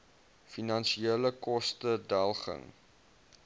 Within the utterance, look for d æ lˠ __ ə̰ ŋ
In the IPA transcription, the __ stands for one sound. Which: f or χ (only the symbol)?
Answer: χ